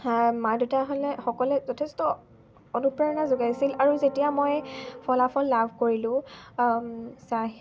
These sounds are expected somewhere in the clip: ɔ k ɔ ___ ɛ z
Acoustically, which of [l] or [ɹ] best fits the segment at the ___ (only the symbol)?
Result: l